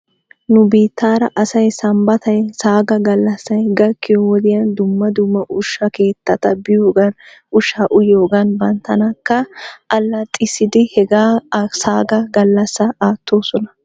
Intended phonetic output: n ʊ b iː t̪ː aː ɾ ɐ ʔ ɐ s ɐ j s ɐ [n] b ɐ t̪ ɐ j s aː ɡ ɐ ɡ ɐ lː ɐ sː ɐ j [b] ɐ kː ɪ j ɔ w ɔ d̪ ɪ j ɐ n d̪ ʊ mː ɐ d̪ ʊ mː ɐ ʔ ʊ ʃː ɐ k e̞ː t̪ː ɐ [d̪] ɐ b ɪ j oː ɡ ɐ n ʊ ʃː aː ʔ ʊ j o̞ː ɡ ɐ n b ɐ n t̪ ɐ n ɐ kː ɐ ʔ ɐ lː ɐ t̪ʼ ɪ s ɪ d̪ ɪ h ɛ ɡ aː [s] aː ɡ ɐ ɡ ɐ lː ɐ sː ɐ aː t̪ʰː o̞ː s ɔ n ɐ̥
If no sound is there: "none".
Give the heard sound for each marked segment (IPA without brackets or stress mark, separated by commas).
m, ɡ, t̪, s